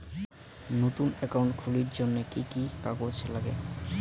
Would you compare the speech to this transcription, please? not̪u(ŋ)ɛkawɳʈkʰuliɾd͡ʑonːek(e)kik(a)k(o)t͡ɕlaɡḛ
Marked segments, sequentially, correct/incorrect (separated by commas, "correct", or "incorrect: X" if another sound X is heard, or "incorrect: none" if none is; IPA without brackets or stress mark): incorrect: n, incorrect: i, correct, correct